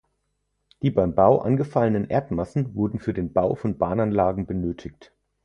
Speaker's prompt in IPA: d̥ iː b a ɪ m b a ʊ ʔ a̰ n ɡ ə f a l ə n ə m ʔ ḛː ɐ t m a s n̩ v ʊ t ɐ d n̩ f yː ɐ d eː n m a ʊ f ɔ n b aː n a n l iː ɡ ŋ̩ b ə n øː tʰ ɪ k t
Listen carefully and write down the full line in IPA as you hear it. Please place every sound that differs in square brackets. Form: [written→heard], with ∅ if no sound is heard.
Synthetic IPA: d̥ iː b a ɪ m b a ʊ ʔ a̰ n ɡ ə f a l ə n ə [m→n] ʔ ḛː ɐ t m a s n̩ v ʊ [t→∅] ɐ d n̩ f yː ɐ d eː n [m→b] a ʊ f ɔ n b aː n a n l [iː→aː] ɡ ŋ̩ b ə n øː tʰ ɪ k t

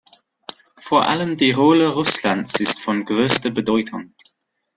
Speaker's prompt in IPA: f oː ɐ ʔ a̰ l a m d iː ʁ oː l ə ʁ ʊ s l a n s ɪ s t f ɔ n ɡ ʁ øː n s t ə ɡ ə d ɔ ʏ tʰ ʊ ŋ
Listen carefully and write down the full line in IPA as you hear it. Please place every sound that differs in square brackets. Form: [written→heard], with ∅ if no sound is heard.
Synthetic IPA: f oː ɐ ʔ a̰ l [a→ə] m d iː ʁ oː l ə ʁ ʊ s l a n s ɪ s t f ɔ n ɡ ʁ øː [n→∅] s t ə [ɡ→b] ə d ɔ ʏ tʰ ʊ ŋ

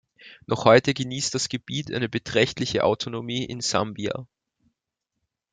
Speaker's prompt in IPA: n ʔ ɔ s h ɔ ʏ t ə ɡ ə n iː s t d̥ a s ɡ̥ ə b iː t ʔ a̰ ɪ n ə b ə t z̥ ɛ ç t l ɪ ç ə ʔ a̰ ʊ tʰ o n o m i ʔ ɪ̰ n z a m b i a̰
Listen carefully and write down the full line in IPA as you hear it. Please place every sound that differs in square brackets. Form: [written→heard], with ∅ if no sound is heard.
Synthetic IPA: n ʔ ɔ [s→χ] h ɔ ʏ t ə ɡ ə n iː s t d̥ a s ɡ̥ ə b iː t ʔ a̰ ɪ n ə b ə t [z̥→ʁ̥] ɛ ç t l ɪ ç ə ʔ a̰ ʊ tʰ o n o m [i→iː] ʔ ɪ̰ n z a m b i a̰

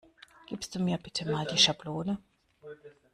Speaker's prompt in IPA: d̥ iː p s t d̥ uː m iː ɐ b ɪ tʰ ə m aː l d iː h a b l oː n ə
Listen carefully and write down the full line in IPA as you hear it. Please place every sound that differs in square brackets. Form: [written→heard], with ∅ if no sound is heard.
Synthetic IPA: [d̥→ɡ̥] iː p s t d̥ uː m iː ɐ b ɪ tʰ ə m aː l d iː [h→ʃ] a b l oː n ə

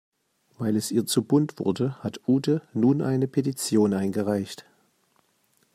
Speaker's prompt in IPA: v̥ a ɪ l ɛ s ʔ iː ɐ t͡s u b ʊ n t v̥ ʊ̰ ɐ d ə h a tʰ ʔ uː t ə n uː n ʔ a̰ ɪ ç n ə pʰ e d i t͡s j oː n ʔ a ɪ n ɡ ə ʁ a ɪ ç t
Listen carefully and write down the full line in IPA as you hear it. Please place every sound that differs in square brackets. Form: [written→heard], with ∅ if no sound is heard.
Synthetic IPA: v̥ a ɪ l ɛ s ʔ iː ɐ t͡s u b ʊ n t v̥ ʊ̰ ɐ d ə h a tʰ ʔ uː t ə n uː n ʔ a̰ ɪ [ç→∅] n ə pʰ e [d→t] i t͡s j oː n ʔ a ɪ n ɡ ə ʁ a ɪ ç t

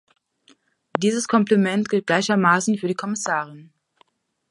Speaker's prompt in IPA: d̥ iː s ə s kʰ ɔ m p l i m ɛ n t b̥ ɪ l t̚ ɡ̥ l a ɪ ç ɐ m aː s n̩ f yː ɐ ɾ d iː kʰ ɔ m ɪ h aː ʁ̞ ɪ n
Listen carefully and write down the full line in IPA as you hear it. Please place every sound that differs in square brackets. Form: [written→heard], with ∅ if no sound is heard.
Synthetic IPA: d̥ iː [s→z] ə s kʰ ɔ m p l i m ɛ n t [b̥→ɡ̥] ɪ l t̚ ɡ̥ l a ɪ ç ɐ m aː s n̩ f yː ɐ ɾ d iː kʰ ɔ m ɪ [h→s] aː ʁ̞ ɪ n

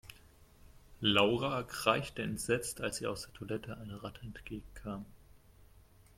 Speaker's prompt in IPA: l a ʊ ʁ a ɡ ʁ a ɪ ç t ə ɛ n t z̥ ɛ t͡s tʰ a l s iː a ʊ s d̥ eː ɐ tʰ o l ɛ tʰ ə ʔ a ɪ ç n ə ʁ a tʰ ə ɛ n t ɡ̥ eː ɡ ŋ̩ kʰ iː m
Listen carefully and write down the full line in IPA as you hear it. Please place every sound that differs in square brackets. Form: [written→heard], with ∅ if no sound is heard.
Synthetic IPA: l a ʊ ʁ a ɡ ʁ a ɪ ç t ə ɛ n t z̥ ɛ t͡s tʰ a l s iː a ʊ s d̥ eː ɐ tʰ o l ɛ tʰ ə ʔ a ɪ [ç→∅] n ə ʁ a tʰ ə ɛ n t ɡ̥ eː ɡ ŋ̩ kʰ [iː→aː] m

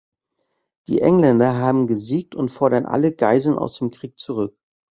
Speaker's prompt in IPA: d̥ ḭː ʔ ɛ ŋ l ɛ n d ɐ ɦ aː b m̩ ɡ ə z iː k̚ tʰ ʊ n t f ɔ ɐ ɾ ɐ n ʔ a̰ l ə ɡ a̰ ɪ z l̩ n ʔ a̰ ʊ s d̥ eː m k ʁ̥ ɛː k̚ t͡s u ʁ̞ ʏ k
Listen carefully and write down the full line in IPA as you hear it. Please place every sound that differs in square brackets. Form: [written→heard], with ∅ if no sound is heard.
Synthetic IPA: d̥ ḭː ʔ ɛ ŋ l ɛ n d ɐ ɦ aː b m̩ ɡ ə z iː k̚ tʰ ʊ n t f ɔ ɐ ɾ ɐ n ʔ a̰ l ə ɡ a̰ ɪ z l̩ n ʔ a̰ ʊ s d̥ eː m k ʁ̥ [ɛː→iː] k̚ t͡s u ʁ̞ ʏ k

